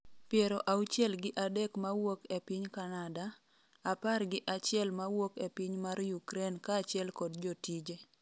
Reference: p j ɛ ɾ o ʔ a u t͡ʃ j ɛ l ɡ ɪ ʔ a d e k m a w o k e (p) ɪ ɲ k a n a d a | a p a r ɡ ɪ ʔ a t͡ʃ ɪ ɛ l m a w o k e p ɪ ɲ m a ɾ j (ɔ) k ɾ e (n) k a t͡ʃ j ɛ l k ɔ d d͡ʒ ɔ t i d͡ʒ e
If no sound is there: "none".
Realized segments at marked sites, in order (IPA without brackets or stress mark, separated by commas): p, u, n